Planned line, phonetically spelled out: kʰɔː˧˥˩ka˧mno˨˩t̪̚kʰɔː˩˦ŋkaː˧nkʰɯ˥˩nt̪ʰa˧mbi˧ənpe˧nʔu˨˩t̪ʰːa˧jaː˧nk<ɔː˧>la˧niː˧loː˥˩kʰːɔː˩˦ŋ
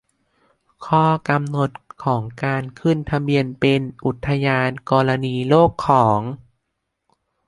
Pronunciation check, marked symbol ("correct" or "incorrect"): correct